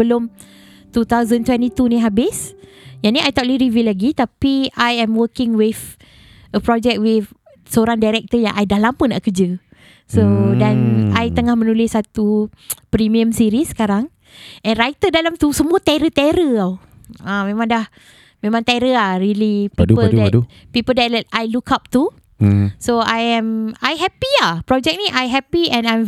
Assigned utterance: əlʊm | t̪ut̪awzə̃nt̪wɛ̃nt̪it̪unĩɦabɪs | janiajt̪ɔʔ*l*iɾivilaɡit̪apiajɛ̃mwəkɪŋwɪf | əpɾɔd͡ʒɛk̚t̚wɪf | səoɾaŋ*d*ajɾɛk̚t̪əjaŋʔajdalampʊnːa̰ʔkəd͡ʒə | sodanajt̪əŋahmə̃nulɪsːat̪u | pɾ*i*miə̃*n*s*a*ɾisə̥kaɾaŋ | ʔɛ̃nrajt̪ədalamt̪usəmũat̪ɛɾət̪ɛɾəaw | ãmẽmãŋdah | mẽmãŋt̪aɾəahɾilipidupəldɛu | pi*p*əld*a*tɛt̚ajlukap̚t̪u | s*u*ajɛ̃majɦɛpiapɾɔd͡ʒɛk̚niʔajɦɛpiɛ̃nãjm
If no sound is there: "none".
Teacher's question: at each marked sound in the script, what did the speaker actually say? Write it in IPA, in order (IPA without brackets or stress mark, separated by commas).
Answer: l, d, i, m, i, p, ɛ, o